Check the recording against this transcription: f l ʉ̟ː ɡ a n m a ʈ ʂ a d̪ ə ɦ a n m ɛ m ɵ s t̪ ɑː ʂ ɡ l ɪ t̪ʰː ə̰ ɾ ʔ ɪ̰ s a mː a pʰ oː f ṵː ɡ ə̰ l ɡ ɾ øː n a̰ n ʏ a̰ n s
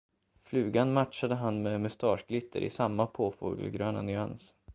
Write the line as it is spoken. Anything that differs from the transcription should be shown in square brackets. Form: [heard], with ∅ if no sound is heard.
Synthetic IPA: f l ʉ̟ː ɡ a n m a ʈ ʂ a d̪ ə ɦ a n m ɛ m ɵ s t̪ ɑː ʂ ɡ l ɪ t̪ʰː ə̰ ɾ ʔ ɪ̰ s a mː a pʰ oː f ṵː ɡ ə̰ l ɡ ɾ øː n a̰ n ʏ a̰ n s